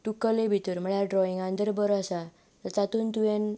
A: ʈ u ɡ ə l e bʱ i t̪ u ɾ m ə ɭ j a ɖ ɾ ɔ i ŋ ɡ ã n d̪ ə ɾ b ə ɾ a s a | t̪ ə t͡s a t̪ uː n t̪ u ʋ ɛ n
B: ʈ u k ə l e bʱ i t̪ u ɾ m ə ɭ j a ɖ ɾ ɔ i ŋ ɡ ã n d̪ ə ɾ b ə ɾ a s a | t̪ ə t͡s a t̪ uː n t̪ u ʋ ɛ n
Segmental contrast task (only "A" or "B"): B